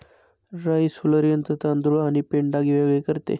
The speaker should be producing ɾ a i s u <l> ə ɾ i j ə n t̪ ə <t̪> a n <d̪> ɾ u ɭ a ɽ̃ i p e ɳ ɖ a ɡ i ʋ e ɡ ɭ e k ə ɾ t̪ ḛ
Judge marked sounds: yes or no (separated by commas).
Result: yes, yes, yes